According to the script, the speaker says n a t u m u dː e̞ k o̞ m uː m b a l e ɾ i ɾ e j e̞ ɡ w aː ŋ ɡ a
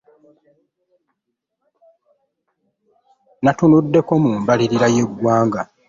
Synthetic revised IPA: n a t u n u dː e̞ k o̞ m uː m b a l i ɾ i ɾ a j e̞ ɡ w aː ŋ ɡ a